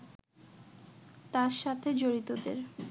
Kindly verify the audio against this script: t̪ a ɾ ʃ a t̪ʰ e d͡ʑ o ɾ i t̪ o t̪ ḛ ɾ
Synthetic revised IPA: t̪ a ɾ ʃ a t̪ʰ e d͡ʑ o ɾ i t̪ o d̪ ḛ ɾ